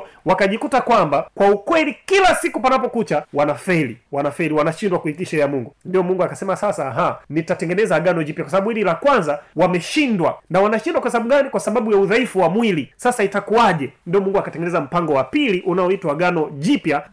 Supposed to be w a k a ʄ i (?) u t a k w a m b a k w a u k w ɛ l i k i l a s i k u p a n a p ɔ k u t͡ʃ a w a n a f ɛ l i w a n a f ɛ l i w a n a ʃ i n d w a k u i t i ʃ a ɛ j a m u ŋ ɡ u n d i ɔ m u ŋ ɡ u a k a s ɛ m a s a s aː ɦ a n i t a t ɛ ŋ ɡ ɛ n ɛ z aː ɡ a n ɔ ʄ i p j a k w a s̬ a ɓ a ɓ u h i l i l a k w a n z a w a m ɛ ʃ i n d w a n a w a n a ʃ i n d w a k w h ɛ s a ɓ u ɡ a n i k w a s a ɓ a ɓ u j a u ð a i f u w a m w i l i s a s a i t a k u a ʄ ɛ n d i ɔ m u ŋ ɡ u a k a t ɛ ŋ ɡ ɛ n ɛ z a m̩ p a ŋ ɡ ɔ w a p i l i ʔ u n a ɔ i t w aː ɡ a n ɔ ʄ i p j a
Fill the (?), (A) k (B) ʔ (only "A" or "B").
A